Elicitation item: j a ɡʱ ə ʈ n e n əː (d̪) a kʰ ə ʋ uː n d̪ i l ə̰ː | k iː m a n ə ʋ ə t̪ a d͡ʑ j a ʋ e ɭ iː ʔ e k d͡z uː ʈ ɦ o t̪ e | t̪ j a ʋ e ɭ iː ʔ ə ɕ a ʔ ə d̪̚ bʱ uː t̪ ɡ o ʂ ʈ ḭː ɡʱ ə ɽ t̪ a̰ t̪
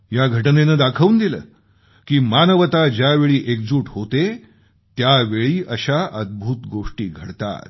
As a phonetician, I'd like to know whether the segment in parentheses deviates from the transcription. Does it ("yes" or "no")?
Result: no